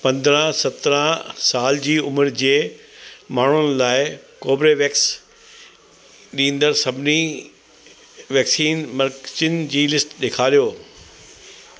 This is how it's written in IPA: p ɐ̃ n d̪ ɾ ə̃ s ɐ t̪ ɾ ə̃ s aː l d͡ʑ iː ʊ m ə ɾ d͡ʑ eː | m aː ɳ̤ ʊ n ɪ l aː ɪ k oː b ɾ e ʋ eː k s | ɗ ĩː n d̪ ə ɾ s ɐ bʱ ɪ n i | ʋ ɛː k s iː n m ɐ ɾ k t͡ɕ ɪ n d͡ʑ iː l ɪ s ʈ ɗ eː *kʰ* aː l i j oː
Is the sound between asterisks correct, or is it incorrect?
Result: correct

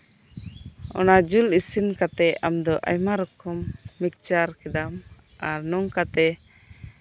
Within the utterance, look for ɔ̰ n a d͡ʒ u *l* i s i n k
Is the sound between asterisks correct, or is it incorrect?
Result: correct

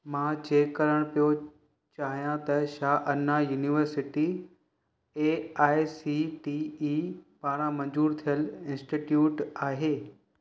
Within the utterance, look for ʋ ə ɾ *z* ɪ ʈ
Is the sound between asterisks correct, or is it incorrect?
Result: incorrect: s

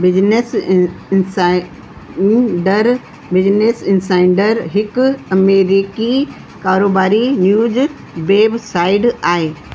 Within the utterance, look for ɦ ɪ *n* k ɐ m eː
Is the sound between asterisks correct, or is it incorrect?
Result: incorrect: none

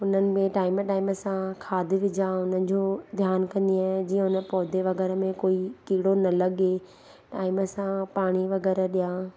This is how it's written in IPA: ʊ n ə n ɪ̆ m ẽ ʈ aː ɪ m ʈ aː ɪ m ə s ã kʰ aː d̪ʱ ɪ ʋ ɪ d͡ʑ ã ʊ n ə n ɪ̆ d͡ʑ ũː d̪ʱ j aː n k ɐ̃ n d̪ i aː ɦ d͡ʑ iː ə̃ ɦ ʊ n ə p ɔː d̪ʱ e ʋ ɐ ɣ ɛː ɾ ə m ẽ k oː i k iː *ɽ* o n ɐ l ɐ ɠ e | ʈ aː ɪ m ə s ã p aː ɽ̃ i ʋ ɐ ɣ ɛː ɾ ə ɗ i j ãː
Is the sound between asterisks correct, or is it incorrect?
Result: correct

